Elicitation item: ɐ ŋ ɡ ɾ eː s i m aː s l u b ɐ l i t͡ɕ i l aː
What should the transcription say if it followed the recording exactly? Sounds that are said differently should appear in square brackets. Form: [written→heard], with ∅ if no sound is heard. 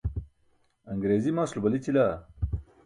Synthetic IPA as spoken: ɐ ŋ ɡ ɾ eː [s→z] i m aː s l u b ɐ l i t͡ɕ i l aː